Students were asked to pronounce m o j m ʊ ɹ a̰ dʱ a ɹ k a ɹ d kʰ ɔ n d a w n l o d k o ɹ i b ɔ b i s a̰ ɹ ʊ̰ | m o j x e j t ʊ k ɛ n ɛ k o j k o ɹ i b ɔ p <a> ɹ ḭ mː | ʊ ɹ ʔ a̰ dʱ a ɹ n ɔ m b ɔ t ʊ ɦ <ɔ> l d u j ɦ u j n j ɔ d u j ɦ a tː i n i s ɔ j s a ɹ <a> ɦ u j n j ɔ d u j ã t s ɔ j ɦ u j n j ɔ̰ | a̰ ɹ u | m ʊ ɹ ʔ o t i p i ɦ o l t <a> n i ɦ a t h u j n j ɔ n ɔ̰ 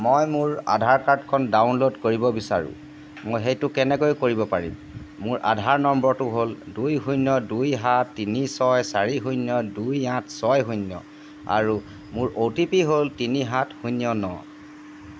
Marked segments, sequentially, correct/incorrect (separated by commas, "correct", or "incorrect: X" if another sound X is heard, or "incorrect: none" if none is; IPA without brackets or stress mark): correct, incorrect: o, incorrect: i, incorrect: i